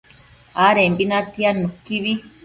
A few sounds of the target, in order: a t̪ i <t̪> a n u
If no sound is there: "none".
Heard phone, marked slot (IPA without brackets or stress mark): none